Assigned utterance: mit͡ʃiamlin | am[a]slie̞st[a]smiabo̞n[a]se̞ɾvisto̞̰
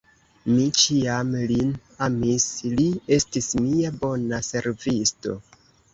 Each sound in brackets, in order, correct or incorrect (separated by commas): incorrect, incorrect, correct